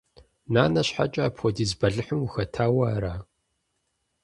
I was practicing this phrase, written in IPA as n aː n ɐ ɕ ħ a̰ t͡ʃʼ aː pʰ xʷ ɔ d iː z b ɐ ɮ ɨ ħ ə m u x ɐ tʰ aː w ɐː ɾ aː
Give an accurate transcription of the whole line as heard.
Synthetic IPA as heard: n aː n ɐ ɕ ħ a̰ t͡ʃʼ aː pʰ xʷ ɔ d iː z b ɐ ɮ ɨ ħ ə m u x ɐ tʰ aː w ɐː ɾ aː